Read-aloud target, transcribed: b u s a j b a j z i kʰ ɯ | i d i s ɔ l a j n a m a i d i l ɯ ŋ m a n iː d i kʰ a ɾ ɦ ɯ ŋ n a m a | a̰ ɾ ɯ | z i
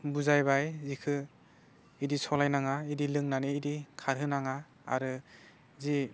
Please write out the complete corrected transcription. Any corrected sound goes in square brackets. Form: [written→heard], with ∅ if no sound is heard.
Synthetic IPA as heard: b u [s→z] a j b a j z i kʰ ɯ | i d i s ɔ l a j n a [m→ŋ] a i d i l ɯ ŋ [m→n] a n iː d i kʰ a ɾ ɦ ɯ [ŋ→∅] n a [m→ŋ] a | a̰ ɾ ɯ | z i